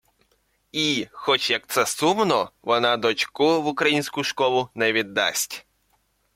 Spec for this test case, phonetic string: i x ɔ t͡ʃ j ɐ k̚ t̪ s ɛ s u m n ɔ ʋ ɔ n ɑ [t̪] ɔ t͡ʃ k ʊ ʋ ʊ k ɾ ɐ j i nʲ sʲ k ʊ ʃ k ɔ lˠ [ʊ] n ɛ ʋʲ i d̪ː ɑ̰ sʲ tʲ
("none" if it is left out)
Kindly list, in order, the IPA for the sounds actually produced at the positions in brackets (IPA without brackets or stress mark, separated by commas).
d̪, ʊ